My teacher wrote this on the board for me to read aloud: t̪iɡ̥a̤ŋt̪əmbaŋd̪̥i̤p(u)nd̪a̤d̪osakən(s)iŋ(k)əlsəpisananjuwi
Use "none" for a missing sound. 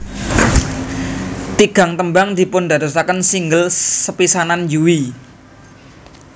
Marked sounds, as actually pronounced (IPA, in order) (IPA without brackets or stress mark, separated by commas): ʊ, s, ɡ